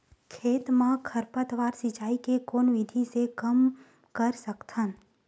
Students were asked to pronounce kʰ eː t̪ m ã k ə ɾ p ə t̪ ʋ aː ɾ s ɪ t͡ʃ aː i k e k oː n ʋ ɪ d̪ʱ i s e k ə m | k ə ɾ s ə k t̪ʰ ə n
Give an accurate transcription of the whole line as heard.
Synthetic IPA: kʰ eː t̪ m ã kʰ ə ɾ p ə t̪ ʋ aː ɾ s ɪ t͡ʃ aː i k e k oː n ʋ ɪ d̪ʱ i s e k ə m | k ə ɾ s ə k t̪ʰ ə n